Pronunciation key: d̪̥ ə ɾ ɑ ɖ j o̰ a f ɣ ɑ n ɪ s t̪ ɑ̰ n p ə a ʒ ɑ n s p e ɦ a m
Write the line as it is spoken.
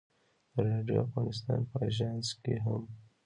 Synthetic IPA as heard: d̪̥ ə ɾ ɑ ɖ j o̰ a f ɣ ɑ n ɪ s t̪ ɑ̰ n p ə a ʒ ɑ n s k e ɦ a m